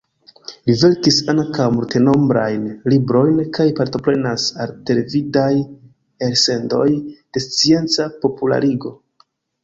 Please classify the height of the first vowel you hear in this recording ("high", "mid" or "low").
high